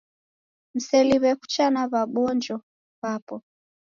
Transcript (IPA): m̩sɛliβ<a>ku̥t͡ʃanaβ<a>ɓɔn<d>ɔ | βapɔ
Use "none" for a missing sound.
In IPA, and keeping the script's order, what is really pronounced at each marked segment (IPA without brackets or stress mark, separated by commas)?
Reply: ɛ, a, d͡ʒ